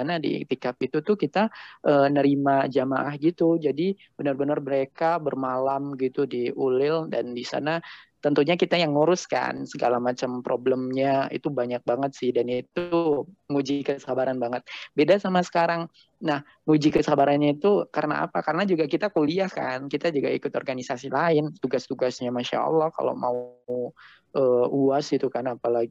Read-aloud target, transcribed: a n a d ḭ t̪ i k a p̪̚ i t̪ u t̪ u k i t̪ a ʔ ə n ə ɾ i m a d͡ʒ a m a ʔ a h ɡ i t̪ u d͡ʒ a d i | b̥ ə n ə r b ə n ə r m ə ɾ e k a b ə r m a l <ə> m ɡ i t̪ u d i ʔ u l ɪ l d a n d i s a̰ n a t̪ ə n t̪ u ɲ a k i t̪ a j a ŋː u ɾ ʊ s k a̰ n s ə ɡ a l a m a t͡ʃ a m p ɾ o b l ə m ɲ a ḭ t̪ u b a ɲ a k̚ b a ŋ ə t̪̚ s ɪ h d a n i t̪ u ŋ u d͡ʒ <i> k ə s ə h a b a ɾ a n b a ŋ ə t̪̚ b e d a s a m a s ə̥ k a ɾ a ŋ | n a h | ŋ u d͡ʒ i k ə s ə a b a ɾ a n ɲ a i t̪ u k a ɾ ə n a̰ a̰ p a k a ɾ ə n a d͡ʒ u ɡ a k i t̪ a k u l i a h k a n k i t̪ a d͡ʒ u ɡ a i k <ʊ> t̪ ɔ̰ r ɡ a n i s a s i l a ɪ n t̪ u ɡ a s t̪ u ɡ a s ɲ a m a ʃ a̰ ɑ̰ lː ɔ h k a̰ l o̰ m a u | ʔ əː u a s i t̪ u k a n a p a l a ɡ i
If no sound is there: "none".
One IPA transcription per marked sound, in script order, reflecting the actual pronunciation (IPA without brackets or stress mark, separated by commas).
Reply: a, i, ʊ